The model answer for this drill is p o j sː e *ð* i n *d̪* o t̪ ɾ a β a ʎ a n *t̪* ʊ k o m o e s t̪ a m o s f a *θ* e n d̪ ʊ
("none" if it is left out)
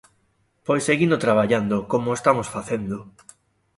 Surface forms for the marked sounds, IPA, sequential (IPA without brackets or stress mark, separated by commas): ɣ, d̪, d̪, θ